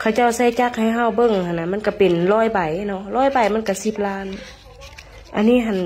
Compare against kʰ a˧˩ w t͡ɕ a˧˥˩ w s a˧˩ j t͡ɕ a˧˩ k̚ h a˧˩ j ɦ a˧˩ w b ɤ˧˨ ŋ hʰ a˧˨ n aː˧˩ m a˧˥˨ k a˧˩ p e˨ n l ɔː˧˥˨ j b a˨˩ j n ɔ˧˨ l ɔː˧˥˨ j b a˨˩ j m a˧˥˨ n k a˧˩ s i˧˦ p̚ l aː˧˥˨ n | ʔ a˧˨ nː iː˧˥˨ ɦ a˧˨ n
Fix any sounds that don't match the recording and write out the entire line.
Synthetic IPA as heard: kʰ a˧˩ w t͡ɕ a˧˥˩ w s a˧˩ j t͡ɕ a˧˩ k̚ h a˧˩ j ɦ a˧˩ w b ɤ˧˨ ŋ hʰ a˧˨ n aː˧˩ m a˧˥˨ k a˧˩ p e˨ n l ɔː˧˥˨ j b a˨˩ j n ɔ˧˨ l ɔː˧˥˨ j b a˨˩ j m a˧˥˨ n k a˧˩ s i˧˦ p̚ l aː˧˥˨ n | ʔ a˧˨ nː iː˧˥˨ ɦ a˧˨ n